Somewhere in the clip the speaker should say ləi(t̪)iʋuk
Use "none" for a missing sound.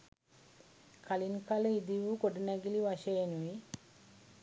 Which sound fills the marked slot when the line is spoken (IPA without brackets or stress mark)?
d̪